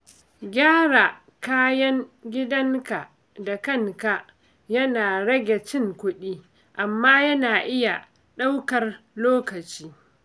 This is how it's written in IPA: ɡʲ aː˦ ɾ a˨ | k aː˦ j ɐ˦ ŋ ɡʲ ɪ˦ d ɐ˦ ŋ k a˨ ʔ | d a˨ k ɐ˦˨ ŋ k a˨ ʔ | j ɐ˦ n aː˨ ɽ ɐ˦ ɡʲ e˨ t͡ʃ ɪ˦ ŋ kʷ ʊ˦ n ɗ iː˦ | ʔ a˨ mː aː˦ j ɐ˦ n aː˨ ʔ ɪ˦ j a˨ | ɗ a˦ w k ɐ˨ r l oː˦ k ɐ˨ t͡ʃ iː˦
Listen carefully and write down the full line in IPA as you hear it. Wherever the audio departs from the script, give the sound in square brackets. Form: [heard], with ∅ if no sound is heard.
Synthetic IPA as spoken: ɡʲ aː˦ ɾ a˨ | k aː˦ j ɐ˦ ŋ ɡʲ ɪ˦ d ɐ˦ ŋ k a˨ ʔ | d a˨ k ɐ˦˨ ŋ k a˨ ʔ | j ɐ˦ n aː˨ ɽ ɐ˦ ɡʲ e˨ t͡ʃ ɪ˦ ŋ kʷ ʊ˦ [∅] ɗ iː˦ | ʔ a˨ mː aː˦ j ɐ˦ n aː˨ ʔ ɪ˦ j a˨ | ɗ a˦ w k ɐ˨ r l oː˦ k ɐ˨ t͡ʃ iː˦